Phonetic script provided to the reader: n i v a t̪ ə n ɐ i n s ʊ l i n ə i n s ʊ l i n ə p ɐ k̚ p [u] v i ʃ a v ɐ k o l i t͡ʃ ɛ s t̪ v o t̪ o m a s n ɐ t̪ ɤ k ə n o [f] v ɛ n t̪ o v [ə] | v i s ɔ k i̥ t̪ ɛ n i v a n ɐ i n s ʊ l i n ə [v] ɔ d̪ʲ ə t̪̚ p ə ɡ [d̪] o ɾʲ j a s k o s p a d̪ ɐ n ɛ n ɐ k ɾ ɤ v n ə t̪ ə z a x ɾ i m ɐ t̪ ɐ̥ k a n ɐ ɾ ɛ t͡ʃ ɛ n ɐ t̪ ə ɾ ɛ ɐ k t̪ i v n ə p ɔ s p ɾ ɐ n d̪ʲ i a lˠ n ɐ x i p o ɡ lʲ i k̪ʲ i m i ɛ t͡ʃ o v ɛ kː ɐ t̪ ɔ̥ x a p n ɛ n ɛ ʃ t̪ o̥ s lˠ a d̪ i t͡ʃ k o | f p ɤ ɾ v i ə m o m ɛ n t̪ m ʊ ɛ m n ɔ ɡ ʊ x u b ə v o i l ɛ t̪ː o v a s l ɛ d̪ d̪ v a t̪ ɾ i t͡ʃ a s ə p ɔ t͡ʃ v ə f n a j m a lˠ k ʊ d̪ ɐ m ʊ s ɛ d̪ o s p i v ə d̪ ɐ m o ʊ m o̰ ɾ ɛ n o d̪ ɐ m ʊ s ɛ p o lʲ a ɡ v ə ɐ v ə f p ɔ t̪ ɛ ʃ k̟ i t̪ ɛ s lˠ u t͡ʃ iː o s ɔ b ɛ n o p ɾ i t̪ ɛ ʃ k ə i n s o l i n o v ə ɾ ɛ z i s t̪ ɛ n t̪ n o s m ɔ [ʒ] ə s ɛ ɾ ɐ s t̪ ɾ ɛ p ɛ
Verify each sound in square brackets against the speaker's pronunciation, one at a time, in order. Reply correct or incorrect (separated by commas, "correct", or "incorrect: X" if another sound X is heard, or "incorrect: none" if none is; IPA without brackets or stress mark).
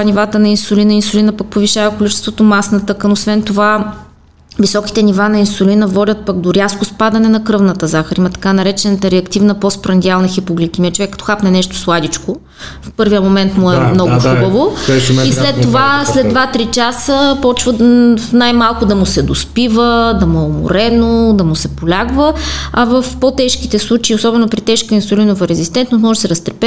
incorrect: o, incorrect: s, incorrect: a, correct, correct, correct